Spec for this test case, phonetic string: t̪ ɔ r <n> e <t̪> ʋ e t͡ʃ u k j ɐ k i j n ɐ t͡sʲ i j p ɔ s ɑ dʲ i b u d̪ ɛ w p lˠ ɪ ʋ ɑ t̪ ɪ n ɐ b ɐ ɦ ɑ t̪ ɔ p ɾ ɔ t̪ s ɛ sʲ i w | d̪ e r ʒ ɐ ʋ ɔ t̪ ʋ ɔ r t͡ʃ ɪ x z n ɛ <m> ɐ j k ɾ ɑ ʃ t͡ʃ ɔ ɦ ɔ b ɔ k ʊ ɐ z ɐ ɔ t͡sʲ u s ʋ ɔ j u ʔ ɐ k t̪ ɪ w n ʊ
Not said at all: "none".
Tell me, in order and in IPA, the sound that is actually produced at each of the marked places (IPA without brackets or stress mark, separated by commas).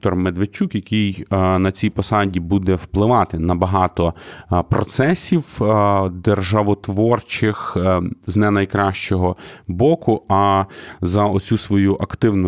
m, d̪, n